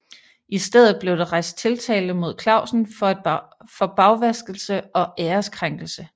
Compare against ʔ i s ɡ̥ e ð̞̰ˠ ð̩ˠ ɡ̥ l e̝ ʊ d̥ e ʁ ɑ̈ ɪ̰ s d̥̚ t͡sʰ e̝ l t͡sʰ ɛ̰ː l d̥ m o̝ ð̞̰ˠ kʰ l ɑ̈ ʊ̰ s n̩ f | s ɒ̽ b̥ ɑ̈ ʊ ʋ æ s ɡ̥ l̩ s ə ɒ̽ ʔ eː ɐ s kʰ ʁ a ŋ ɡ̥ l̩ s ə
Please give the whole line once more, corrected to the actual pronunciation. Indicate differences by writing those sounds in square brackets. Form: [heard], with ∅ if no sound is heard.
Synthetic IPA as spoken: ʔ i s [d̥] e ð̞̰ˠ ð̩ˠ [b̥] l e̝ ʊ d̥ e ʁ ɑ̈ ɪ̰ s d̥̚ t͡sʰ e̝ l t͡sʰ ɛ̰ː l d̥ m o̝ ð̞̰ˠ kʰ l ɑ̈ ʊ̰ s n̩ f | [f] ɒ̽ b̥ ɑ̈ ʊ ʋ æ s ɡ̥ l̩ s ə ɒ̽ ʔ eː ɐ s kʰ ʁ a ŋ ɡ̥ l̩ s ə